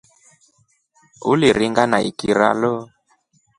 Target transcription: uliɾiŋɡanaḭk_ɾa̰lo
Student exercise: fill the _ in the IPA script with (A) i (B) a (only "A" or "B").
A